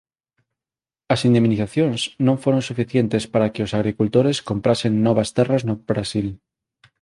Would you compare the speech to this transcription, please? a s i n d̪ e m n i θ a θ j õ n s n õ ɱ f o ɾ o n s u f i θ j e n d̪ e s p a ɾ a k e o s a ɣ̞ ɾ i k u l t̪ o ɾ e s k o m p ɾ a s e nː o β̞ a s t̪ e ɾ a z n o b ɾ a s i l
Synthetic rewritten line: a s i n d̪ e m n i θ a θ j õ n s n õ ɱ f o ɾ o n s u f i θ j e n t̪ e s p a ɾ a k e o s a ɣ̞ ɾ i k u l t̪ o ɾ e s k o m p ɾ a s e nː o β̞ a s t̪ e r a z n o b ɾ a s i l

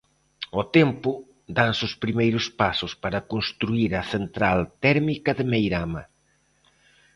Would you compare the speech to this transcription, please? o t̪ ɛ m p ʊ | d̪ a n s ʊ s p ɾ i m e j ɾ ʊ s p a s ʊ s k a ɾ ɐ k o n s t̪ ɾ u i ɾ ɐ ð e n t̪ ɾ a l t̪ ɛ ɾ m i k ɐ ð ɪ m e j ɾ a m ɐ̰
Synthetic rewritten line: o t̪ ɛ m p ʊ | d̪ a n s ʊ s p ɾ i m e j ɾ ʊ s p a s ʊ s p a ɾ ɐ k o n s t̪ ɾ u i ɾ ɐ θ e n t̪ ɾ a l t̪ ɛ ɾ m i k ɐ ð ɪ m e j ɾ a m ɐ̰

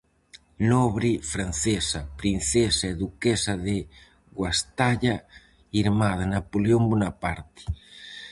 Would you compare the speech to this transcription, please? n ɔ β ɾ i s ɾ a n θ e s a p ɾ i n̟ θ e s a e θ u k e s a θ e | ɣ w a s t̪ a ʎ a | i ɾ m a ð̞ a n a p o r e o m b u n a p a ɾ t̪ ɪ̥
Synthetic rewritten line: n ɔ β ɾ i f ɾ a n θ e s a p ɾ i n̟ θ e s a e ð u k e s a ð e | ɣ w a s t̪ a ʎ a | i ɾ m a ð̞ a n a p o l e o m b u n a p a ɾ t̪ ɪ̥

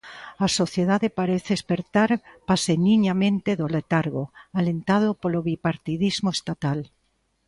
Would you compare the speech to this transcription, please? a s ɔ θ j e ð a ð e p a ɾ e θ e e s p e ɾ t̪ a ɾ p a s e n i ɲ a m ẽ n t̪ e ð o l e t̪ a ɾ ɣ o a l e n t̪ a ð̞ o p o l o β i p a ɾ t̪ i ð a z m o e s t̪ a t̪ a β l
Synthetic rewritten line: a s o θ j e ð a ð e p a ɾ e θ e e s p e ɾ t̪ a ɾ p a s e n i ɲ a m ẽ n t̪ e ð o l e t̪ a ɾ ɣ o a l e n t̪ a ð̞ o p o l o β i p a ɾ t̪ i ð i z m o e s t̪ a t̪ a l

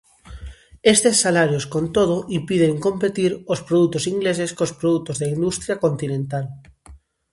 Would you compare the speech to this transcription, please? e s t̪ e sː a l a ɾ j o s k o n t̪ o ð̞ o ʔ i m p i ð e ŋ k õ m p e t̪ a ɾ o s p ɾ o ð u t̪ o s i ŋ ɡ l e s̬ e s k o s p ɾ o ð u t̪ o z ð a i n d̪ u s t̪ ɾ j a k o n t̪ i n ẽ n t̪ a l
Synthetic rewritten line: e s t̪ e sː a l a ɾ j o s k o n t̪ o ð̞ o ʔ i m p i ð e ŋ k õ m p e t̪ i ɾ o s p ɾ o ð u t̪ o s i ŋ ɡ l e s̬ e s k o s p ɾ o ð u t̪ o z ð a i n d̪ u s t̪ ɾ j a k o n t̪ i n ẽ n t̪ a l

